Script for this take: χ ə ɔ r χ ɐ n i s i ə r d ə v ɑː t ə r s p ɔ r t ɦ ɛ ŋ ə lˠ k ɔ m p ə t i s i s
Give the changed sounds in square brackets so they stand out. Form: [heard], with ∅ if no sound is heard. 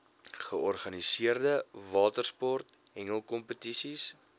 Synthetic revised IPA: χ ə ɔ r χ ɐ n i s i ə r d ə v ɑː t ə r s p ɔ r t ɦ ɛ ŋ ə lˠ k ɔ m p ə t i s i s

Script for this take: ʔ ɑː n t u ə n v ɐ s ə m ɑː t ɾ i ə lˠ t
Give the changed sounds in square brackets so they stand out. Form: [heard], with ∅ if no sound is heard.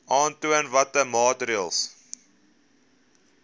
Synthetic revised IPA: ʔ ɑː n t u ə n v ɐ [t] ə m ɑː t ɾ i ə lˠ [s]

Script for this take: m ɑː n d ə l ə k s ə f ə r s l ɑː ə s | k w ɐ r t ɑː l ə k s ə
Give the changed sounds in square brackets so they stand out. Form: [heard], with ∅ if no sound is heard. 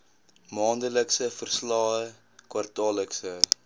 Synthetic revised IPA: m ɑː n d ə l ə k s ə f ə r s l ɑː ə [∅] | k w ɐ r t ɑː l ə k s ə

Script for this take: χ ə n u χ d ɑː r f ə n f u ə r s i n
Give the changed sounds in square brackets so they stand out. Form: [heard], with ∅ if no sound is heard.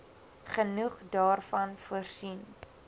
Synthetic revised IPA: χ ə n u χ d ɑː r f [ɐ] n f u ə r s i n

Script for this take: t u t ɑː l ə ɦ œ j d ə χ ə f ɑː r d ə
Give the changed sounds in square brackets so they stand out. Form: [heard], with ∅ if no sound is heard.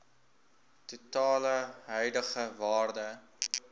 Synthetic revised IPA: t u t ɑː l ə ɦ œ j d ə χ ə [v] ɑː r d ə

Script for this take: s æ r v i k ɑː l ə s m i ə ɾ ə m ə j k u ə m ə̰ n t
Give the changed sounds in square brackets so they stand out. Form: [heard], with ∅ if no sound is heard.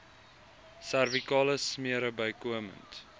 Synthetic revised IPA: s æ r v i k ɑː l ə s m i ə ɾ ə [b] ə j k u ə m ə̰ n t

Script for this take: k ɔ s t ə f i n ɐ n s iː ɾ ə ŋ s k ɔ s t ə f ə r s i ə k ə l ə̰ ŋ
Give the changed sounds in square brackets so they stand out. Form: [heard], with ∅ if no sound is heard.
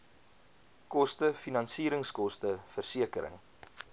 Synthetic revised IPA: k ɔ s t ə f i n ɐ n s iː ɾ ə ŋ s k ɔ s t ə f ə r s i ə k ə [ɾ] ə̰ ŋ

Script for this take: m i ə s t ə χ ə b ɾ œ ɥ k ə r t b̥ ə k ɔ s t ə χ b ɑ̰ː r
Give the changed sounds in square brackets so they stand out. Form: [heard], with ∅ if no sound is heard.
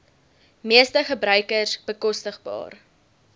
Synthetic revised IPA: m i ə s t ə χ ə b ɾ œ ɥ k ə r [s] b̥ ə k ɔ s t ə χ b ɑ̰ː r

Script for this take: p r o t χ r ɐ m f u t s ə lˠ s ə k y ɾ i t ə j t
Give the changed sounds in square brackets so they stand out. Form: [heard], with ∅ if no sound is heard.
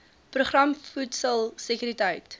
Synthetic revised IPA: p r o [∅] χ r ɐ m f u t s ə lˠ s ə k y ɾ i t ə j t

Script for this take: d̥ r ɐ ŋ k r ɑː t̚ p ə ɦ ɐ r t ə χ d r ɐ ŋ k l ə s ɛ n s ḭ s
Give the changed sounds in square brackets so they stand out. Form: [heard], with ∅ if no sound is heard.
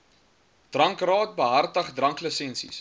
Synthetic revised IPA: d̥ r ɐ ŋ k r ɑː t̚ [b] ə ɦ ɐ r t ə χ d r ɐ ŋ k l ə s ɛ n s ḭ s

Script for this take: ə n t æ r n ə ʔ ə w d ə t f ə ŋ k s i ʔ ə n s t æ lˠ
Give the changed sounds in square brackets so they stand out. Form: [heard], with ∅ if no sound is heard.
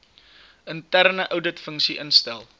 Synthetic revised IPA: ə n t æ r n ə ʔ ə w d ə t f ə ŋ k s i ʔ ə n s t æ lˠ

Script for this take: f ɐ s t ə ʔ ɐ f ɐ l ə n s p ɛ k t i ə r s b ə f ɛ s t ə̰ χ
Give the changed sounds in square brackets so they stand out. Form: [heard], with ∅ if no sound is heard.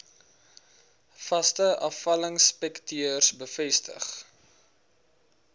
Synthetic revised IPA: f ɐ s t ə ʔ ɐ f ɐ l ə [ŋ] s p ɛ k t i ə r s b ə f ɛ s t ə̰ χ

